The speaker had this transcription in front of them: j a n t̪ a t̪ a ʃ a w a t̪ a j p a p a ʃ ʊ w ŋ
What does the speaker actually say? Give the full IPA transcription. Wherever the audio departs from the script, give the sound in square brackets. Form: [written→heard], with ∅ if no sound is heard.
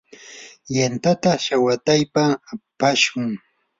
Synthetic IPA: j a n t̪ a t̪ a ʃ a w a t̪ a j p a p a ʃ ʊ [w→∅] ŋ